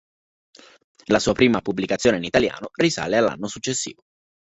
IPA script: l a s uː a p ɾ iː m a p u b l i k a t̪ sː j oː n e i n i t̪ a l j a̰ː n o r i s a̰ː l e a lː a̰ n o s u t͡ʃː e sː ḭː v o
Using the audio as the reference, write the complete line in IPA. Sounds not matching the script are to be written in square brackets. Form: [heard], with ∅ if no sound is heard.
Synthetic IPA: l a s uː a p ɾ iː m a p u b l i k a t̪ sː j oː n e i n i t̪ a l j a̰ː n o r i s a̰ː l e a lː a̰ [nː] o s u t͡ʃː e sː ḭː v o